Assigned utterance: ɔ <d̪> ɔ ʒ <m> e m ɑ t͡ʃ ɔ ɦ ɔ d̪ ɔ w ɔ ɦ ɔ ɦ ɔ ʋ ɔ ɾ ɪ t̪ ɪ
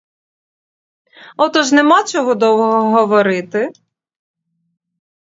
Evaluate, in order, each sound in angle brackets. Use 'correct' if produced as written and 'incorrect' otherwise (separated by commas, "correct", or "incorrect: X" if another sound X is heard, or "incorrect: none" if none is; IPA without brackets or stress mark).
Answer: incorrect: t̪, incorrect: n